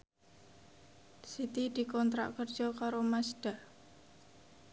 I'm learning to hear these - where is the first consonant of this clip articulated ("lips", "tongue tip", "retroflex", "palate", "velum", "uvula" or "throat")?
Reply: tongue tip